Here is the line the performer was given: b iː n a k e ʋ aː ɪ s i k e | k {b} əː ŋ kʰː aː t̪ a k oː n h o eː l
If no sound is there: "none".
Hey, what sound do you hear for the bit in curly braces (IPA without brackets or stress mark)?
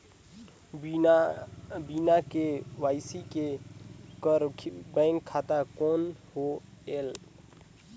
b